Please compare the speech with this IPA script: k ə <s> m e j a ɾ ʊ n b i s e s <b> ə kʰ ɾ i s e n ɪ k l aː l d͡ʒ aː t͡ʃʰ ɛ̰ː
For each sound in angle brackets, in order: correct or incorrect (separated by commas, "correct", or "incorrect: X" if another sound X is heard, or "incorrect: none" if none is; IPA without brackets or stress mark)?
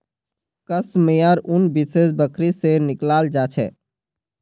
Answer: correct, correct